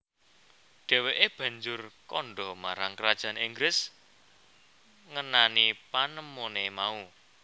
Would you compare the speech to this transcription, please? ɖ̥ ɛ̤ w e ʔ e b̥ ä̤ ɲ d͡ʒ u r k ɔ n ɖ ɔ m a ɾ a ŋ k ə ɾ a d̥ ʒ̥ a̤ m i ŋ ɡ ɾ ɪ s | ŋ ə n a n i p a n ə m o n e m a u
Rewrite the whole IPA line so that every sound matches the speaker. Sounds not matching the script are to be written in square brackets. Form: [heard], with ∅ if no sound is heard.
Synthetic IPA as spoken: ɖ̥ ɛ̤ w e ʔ e b̥ ä̤ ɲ d͡ʒ [ʊ] r k ɔ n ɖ ɔ m a ɾ a ŋ k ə ɾ a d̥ ʒ̥ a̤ [n] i ŋ ɡ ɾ ɪ s | ŋ ə n a n i p a n ə m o n e m a u